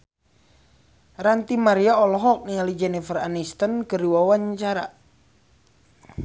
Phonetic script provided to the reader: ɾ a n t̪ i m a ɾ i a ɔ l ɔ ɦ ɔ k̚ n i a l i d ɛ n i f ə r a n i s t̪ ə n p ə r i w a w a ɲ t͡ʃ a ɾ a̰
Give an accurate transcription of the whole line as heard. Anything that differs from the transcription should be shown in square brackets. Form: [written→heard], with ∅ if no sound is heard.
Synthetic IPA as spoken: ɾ a n t̪ i m a ɾ i a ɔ l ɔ ɦ ɔ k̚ n i a l i [d→d͡ʒ] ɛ n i f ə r a n i s t̪ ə n [p→k] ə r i w a w a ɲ t͡ʃ a ɾ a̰